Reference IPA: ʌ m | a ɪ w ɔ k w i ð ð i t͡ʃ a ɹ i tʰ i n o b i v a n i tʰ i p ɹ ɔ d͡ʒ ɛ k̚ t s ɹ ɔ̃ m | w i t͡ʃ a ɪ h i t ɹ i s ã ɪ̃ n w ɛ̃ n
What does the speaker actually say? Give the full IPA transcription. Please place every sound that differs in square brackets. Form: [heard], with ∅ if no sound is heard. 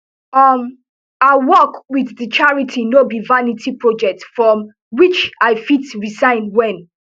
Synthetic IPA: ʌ m | a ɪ w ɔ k w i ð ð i t͡ʃ a ɹ i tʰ i n o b i v a n i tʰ i p ɹ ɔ d͡ʒ ɛ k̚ t [f] ɹ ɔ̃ m | w i t͡ʃ a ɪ [f] i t ɹ i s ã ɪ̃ n w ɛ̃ n